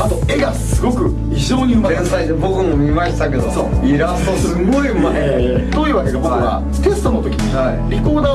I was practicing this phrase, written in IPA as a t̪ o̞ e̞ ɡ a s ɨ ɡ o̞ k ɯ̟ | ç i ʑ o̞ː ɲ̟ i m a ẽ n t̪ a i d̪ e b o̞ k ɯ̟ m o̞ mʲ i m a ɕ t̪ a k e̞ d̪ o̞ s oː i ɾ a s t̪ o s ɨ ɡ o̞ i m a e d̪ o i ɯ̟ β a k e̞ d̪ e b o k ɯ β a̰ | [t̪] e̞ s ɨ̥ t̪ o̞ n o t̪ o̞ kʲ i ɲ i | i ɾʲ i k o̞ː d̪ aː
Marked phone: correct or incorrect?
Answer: correct